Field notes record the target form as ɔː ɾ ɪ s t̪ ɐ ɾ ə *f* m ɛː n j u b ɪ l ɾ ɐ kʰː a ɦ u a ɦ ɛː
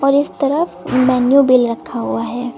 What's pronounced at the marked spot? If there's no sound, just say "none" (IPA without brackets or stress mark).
f